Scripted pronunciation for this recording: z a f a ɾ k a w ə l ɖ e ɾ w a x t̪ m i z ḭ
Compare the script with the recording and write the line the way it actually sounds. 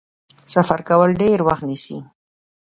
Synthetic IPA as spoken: s a f a ɾ k a w ə l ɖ e ɾ w a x t̪ n i s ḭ